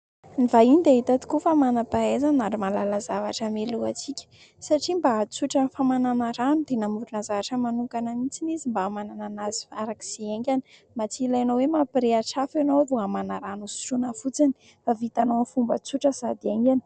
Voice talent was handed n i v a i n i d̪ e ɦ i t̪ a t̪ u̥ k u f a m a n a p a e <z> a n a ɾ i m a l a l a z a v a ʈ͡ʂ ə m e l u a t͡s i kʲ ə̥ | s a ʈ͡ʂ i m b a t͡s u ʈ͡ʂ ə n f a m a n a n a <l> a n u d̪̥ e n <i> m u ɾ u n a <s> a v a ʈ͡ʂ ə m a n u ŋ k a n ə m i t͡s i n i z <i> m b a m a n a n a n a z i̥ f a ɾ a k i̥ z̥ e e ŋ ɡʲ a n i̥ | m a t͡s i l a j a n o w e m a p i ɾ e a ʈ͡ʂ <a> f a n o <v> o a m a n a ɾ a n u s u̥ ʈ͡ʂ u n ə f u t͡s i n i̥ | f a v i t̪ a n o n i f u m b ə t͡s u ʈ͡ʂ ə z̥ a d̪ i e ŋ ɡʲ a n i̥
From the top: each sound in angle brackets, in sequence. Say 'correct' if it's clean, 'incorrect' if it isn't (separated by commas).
correct, incorrect, incorrect, incorrect, correct, correct, correct